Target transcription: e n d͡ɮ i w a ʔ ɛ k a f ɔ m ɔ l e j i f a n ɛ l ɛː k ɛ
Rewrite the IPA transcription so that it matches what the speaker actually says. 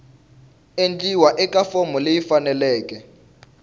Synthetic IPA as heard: e n d͡ɮ i w a ʔ ɛ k a f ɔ m ɔ l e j i f a n ɛ l ɛː k ɛ